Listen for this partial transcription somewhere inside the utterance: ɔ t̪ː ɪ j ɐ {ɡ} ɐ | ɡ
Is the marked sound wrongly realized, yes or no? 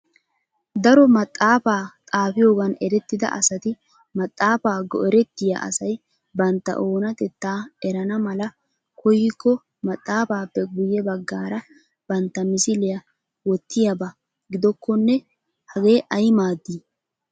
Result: yes